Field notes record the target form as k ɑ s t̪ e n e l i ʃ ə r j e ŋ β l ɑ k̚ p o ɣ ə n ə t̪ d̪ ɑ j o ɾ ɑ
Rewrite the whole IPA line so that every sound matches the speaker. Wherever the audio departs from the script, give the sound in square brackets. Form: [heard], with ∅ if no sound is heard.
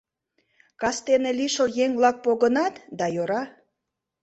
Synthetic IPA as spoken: k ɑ s t̪ e n e l i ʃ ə [l] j e ŋ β l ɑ k̚ p o ɣ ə n [ɑ] t̪ d̪ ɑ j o ɾ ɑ